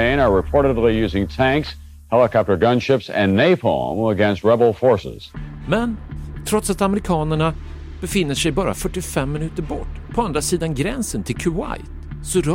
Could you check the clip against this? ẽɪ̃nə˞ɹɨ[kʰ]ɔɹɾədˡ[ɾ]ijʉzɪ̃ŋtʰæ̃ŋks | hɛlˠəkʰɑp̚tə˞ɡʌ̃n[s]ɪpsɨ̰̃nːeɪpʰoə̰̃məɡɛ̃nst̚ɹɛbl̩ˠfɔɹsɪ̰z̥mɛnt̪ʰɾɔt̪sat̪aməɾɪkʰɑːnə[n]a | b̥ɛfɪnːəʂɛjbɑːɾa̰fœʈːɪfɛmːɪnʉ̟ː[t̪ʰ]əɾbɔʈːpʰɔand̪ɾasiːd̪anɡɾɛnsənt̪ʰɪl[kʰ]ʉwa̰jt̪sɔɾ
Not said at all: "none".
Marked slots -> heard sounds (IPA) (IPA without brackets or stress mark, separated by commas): pʰ, l, ʃ, ɳ, t̪, kʰ